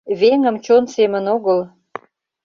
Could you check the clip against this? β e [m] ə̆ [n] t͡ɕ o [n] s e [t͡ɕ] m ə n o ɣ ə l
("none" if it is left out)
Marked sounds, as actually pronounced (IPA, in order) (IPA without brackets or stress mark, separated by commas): ŋ, m, n, none